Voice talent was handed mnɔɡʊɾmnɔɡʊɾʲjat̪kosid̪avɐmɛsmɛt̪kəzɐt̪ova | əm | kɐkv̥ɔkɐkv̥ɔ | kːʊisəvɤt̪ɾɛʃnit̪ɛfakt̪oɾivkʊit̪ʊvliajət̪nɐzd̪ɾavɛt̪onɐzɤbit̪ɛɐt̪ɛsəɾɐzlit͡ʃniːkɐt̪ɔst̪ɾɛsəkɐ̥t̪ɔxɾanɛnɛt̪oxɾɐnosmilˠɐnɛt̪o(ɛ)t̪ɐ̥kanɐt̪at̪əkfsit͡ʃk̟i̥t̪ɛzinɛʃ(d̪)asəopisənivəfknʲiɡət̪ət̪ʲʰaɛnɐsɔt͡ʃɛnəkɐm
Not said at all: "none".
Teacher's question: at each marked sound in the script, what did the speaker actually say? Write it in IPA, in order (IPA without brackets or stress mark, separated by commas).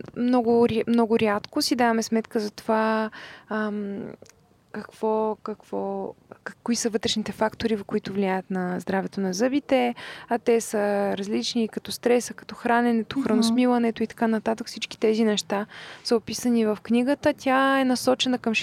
i, t̪